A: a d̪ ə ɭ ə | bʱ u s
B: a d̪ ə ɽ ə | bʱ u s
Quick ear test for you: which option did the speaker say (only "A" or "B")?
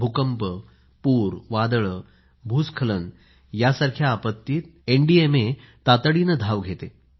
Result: A